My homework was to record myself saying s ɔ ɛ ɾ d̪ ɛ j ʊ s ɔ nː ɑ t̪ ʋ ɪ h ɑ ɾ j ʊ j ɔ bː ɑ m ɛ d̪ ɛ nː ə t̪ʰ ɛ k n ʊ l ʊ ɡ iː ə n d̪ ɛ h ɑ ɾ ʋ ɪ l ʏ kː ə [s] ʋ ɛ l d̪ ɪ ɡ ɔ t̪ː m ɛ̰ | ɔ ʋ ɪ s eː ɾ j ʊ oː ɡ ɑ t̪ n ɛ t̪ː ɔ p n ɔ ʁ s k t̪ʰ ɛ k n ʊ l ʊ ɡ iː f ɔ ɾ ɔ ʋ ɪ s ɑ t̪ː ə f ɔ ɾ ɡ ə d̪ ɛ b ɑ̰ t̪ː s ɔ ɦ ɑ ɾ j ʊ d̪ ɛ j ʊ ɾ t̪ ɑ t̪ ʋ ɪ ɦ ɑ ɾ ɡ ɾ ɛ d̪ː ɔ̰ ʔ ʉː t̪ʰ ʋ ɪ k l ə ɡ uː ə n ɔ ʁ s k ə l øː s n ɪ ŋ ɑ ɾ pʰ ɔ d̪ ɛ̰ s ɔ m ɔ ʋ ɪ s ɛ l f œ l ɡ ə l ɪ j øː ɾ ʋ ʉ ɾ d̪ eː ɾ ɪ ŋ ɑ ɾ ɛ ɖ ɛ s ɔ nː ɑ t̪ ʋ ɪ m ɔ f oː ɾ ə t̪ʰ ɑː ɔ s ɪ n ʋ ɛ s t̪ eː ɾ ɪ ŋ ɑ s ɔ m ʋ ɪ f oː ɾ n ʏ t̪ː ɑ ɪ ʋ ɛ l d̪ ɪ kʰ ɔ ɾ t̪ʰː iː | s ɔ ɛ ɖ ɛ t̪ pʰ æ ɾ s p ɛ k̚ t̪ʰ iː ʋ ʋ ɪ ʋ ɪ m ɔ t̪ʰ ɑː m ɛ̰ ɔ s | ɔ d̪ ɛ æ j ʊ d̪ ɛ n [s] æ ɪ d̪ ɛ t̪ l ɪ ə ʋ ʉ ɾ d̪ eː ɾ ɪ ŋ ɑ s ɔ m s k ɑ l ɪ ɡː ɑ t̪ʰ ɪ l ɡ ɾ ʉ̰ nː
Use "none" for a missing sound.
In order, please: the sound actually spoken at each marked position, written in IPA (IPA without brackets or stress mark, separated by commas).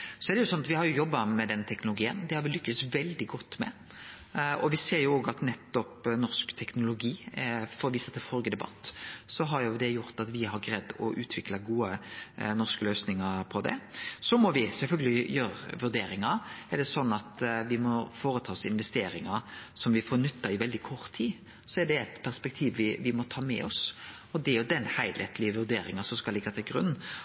s, h